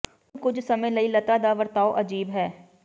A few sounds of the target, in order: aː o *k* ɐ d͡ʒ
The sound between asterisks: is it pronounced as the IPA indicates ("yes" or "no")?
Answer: no